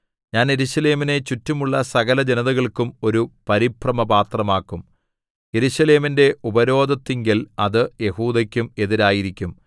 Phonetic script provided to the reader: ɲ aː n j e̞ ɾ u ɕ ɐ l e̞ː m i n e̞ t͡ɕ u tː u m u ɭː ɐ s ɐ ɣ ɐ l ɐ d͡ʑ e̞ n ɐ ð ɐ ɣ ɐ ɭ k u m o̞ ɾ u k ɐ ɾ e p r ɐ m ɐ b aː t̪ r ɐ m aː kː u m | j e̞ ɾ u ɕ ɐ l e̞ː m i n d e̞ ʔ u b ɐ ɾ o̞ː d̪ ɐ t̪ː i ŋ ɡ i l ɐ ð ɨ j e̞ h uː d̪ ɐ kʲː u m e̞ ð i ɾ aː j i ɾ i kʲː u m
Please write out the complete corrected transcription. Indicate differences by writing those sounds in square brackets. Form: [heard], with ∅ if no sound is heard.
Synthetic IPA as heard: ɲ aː n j e̞ ɾ u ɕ ɐ l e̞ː m i n e̞ t͡ɕ u tː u m u ɭː ɐ s ɐ ɣ ɐ l ɐ d͡ʑ e̞ n ɐ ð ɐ ɣ ɐ ɭ k u m o̞ ɾ u [p] ɐ ɾ [i] p r ɐ m ɐ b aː t̪ r ɐ m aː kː u m | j e̞ ɾ u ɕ ɐ l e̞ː m i n d e̞ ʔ u b ɐ ɾ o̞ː d̪ ɐ t̪ː i ŋ ɡ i l ɐ ð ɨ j e̞ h uː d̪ ɐ kʲː u m e̞ ð i ɾ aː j i ɾ i kʲː u m